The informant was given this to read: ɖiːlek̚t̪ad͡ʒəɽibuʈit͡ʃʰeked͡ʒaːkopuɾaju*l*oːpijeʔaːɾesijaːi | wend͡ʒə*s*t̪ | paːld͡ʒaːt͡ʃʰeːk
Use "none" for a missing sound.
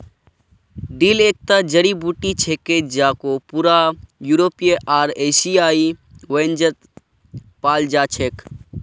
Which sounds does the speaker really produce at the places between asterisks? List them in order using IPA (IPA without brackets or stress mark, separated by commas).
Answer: ɾ, none